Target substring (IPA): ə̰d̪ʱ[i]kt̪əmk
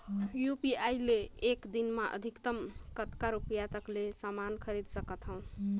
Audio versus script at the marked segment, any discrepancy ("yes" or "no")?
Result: no